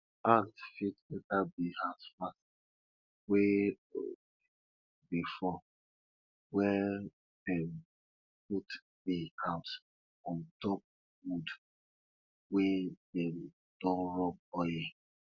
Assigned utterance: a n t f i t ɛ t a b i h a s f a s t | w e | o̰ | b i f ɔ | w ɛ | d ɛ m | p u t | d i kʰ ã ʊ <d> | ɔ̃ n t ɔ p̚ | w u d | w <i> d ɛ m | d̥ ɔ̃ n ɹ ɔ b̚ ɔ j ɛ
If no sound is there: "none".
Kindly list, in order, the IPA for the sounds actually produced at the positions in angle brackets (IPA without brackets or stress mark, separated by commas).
t, e